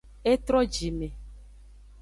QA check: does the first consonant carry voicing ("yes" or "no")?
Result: no